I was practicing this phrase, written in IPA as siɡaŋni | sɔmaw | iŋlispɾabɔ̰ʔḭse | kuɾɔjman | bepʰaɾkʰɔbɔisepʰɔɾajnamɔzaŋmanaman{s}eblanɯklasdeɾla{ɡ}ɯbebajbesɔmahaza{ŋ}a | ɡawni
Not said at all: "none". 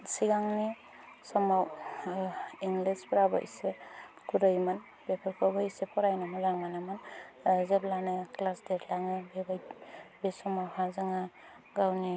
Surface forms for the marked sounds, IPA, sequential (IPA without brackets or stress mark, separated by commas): z, ŋ, ŋ